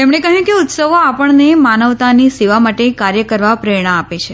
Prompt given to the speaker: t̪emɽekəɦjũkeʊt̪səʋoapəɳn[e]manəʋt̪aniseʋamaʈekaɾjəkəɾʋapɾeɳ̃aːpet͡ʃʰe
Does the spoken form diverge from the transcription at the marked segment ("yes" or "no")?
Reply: no